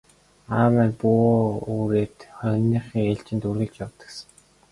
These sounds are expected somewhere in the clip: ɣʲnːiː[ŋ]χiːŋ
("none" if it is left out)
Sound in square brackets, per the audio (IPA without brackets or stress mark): none